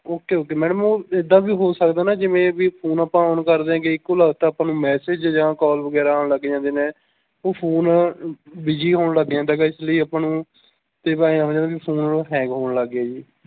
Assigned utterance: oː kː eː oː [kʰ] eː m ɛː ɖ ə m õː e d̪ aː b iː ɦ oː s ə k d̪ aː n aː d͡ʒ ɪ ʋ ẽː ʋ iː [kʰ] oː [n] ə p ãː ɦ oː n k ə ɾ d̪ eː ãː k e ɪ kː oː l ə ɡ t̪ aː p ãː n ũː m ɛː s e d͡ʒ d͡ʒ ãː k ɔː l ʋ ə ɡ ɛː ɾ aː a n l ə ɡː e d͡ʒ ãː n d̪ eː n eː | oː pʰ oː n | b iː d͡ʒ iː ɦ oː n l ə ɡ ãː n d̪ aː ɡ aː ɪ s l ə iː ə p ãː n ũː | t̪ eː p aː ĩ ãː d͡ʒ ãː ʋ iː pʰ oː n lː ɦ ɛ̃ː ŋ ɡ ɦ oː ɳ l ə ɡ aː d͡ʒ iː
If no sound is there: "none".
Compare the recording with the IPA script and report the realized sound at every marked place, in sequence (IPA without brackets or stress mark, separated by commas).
k, pʰ, n